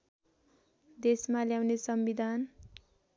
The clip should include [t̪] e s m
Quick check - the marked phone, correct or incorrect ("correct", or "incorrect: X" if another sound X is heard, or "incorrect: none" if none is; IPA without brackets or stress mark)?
incorrect: d̪